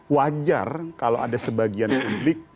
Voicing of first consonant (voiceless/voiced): voiced